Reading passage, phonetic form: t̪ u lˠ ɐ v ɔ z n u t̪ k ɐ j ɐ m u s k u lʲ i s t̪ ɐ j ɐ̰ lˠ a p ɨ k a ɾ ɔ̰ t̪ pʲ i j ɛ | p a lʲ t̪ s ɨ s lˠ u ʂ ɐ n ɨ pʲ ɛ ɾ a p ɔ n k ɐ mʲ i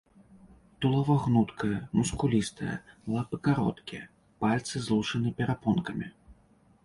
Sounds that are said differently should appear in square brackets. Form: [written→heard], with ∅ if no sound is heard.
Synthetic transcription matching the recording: t̪ u lˠ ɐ v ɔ [z→ɣ] n u t̪ k ɐ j ɐ m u s k u lʲ i s t̪ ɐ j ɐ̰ lˠ a p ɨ k a ɾ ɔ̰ t̪ [pʲ→kʲ] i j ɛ | p a lʲ t̪ s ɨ [s→z] lˠ u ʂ ɐ n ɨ pʲ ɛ ɾ a p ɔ n k ɐ mʲ i